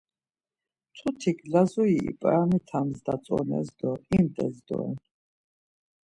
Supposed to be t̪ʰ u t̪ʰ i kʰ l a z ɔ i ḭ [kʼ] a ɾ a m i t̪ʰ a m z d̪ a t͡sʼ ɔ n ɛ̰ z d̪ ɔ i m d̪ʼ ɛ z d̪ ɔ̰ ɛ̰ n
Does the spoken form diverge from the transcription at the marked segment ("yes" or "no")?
yes